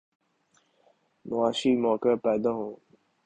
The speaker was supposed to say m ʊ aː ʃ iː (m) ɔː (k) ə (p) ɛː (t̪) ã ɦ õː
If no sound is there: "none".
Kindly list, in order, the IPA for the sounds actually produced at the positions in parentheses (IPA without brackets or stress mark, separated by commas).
m, k, p, d̪